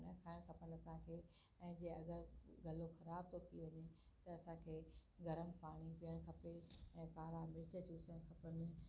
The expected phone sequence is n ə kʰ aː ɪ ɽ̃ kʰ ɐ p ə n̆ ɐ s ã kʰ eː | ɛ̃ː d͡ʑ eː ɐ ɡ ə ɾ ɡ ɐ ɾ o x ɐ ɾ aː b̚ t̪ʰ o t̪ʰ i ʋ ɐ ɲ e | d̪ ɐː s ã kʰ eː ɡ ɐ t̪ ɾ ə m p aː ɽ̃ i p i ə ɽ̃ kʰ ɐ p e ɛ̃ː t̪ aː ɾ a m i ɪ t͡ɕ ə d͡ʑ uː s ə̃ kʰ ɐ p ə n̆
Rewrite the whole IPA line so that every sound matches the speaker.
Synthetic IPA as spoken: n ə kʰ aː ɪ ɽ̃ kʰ ɐ p ə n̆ ɐ s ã kʰ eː | ɛ̃ː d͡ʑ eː ɐ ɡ ə ɾ ɡ ɐ l o x ɐ ɾ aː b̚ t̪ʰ o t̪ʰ i ʋ ɐ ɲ e | t̪ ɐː s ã kʰ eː ɡ ɐ ɾ ə m p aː ɽ̃ i p i ə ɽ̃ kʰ ɐ p e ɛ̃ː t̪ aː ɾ a m ɪ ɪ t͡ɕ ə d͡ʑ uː s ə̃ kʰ ɐ p ə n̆